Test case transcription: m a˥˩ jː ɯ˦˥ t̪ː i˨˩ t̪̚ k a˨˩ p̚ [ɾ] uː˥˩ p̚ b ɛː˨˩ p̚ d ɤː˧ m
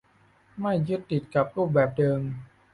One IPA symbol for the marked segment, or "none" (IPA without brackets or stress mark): ɾ